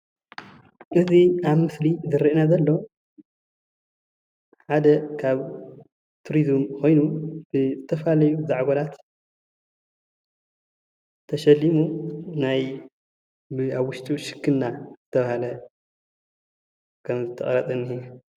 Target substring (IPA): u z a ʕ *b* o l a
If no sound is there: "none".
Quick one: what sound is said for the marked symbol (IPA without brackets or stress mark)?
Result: ɡ